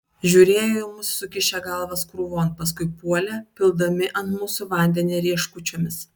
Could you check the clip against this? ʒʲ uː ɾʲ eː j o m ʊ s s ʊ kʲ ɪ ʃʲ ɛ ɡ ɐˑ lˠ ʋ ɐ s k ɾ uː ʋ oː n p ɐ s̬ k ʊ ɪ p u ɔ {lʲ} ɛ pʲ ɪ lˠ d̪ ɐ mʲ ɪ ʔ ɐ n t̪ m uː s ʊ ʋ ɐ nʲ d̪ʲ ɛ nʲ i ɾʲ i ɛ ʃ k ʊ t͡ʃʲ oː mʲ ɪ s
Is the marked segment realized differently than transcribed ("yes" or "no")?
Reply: no